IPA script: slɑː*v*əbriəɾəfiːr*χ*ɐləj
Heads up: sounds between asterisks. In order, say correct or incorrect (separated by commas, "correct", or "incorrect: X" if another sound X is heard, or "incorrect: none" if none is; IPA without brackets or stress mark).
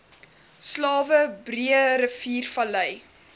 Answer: correct, incorrect: f